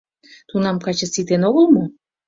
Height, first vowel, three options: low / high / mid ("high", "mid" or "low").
high